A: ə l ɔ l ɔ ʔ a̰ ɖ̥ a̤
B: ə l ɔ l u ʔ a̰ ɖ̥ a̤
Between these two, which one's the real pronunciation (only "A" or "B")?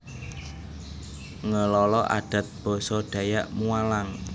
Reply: A